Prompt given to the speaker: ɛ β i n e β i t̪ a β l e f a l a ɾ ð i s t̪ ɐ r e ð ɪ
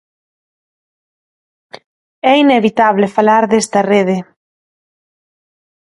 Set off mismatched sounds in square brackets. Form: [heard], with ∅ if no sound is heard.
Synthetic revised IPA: ɛ [∅] i n e β i t̪ a β l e f a l a ɾ ð [e] s t̪ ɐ r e ð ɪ